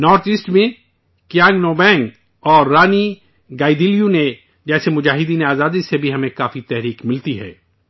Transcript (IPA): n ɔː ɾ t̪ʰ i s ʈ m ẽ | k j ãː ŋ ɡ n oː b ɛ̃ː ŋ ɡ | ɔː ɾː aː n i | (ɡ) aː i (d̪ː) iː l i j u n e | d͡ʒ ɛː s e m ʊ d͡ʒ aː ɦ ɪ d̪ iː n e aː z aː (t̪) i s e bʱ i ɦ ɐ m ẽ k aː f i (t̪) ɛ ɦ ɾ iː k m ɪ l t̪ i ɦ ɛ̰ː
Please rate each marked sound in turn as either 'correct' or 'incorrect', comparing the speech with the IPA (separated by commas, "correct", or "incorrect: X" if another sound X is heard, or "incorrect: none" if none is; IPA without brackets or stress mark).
correct, incorrect: d̪, incorrect: d̪, correct